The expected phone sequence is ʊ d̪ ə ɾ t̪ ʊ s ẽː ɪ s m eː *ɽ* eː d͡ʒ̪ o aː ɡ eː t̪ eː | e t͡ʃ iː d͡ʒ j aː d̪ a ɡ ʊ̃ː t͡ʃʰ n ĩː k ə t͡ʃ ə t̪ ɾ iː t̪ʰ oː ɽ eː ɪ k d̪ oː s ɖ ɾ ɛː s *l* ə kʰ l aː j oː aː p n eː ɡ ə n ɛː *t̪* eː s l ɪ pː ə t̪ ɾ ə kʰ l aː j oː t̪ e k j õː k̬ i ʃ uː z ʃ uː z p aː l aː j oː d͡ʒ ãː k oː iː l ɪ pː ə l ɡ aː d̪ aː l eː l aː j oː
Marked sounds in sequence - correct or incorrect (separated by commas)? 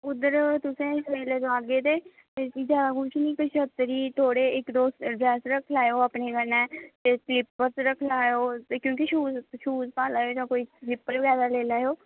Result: incorrect, incorrect, correct